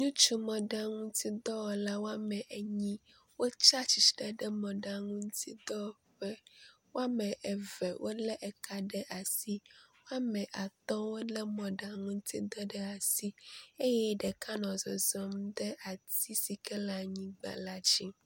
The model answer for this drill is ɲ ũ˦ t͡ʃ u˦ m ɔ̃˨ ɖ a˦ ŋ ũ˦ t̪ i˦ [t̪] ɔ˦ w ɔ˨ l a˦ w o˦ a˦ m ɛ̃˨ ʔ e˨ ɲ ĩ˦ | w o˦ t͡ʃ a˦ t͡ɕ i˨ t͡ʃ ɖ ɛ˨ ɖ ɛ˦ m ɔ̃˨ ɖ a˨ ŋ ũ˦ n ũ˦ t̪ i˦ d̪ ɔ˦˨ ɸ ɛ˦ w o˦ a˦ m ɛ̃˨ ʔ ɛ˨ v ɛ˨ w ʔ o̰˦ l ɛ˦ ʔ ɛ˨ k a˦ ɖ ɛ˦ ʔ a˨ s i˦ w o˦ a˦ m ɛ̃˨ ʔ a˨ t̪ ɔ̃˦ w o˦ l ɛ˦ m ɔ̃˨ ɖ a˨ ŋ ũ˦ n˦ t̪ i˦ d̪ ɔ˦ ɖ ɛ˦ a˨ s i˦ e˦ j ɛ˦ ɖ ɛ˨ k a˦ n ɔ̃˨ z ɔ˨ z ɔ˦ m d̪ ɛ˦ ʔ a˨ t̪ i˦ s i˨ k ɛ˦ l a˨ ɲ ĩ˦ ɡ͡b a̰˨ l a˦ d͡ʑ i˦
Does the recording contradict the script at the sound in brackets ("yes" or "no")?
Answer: yes